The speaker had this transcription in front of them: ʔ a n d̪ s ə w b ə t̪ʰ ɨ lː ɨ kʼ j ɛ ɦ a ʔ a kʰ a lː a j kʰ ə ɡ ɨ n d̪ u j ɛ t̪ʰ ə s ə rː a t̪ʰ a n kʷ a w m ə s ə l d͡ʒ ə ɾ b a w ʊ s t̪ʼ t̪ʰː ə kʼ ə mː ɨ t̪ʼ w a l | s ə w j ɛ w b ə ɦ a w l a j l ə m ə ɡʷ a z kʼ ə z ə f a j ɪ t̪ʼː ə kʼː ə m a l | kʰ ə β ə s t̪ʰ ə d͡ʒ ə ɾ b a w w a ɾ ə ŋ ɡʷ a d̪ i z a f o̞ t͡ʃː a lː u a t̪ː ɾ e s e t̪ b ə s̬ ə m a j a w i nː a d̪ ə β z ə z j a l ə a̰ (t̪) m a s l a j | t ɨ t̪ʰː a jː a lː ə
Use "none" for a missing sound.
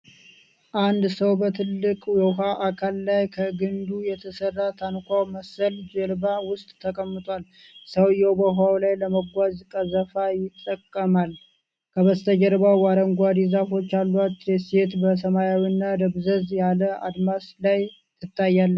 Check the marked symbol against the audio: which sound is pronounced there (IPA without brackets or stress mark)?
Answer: d̪